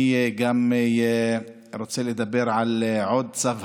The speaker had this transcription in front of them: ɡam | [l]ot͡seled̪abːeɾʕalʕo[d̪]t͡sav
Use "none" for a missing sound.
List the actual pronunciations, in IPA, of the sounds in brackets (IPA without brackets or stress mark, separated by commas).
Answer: ɾ, d̪